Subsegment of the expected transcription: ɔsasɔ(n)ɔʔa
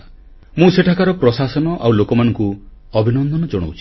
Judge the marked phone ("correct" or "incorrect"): correct